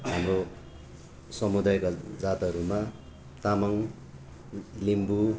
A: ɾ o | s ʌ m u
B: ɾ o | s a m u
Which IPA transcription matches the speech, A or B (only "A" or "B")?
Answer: A